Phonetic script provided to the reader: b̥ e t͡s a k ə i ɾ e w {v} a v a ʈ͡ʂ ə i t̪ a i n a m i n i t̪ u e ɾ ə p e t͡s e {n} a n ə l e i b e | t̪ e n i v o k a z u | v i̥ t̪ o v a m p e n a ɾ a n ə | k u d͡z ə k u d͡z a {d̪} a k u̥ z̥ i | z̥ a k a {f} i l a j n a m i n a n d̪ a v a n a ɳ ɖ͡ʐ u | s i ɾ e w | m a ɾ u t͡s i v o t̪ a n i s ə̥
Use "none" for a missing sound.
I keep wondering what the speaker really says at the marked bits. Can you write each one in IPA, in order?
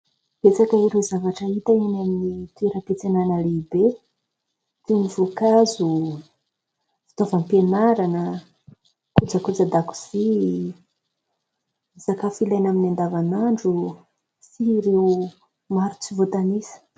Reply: z, n, d̪, f

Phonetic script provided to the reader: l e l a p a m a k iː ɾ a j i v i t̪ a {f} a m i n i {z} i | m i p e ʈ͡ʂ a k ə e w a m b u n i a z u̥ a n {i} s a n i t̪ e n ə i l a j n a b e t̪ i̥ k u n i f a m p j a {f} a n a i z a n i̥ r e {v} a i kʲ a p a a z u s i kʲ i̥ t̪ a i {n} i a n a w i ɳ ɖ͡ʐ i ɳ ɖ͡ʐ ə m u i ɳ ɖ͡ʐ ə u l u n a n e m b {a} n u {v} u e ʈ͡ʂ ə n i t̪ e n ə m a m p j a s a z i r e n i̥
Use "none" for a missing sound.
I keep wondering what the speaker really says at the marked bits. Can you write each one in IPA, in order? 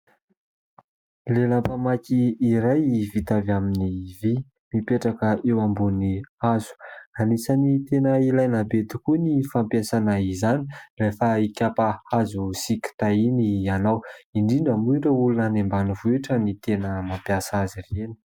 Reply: v, v, i, s, f, n, a, v

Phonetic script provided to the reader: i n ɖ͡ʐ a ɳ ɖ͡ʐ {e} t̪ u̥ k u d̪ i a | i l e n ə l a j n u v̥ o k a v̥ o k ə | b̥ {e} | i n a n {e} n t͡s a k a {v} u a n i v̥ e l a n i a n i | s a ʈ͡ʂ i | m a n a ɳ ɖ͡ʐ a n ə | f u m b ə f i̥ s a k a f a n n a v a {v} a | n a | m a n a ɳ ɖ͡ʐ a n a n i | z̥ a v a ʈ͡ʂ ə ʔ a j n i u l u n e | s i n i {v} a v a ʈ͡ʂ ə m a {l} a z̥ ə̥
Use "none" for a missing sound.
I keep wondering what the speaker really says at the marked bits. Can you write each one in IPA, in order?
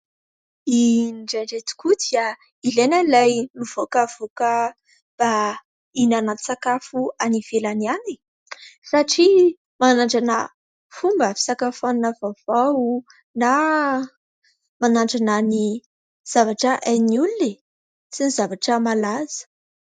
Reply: e, a, a, f, v, z, l

